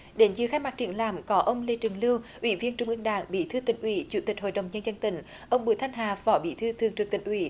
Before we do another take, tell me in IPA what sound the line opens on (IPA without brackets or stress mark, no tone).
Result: ɗ